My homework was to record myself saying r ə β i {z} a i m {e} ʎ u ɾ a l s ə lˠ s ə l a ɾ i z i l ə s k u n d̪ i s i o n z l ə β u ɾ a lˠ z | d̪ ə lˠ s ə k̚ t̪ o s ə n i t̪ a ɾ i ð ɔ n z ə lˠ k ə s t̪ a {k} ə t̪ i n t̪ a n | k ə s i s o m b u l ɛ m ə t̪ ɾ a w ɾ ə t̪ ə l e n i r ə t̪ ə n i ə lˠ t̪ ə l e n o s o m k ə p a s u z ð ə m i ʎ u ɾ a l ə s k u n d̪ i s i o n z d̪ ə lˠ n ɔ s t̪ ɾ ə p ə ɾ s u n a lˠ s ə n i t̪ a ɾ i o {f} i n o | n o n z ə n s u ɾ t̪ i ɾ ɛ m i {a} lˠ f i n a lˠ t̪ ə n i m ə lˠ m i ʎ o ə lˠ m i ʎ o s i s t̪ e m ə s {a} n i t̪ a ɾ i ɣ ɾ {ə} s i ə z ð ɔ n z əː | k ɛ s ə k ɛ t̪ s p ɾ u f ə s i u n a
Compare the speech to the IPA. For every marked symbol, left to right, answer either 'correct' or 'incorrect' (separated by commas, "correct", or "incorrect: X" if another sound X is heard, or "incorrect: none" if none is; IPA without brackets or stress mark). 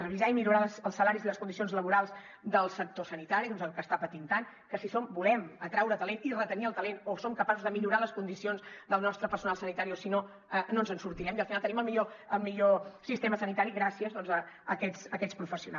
correct, incorrect: i, incorrect: p, incorrect: s, incorrect: ə, incorrect: ə, incorrect: a